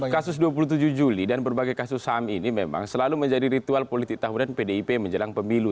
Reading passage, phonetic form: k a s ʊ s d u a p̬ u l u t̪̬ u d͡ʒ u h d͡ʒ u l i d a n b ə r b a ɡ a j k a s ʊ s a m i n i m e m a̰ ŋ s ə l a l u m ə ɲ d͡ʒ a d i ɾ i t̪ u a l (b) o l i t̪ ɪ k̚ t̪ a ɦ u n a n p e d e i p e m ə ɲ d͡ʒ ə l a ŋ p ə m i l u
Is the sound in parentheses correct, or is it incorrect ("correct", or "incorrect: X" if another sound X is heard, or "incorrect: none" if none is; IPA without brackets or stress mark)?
incorrect: p